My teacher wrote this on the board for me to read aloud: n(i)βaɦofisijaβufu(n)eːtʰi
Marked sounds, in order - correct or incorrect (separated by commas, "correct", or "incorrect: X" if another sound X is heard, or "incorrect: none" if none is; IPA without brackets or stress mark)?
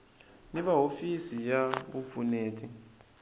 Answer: correct, correct